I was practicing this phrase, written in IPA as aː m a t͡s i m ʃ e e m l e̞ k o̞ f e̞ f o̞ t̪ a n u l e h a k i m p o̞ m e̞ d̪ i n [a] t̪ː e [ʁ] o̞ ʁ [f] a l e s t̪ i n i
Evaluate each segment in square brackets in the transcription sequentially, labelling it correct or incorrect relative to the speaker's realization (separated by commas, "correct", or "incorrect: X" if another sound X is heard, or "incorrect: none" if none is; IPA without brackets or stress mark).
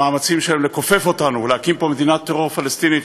correct, correct, correct